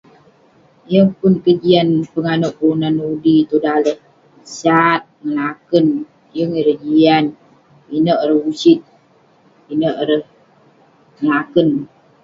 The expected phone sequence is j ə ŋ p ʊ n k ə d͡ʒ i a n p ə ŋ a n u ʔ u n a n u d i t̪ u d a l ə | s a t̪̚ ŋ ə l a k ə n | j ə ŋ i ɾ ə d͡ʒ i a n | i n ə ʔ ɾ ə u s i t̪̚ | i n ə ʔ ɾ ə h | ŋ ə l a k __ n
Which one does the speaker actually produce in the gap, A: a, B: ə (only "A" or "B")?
B